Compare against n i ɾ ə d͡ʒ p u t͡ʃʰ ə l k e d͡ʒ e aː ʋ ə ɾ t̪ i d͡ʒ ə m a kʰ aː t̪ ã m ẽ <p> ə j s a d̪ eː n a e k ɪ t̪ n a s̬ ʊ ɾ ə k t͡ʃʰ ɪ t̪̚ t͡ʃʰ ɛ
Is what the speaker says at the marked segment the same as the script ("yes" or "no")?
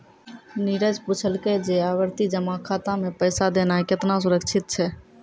yes